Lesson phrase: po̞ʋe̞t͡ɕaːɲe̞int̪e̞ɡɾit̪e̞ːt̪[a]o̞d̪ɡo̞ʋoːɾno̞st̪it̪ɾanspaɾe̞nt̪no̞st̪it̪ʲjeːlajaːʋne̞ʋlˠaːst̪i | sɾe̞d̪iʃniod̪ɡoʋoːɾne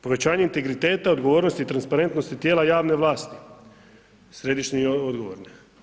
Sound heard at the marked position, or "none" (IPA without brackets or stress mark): a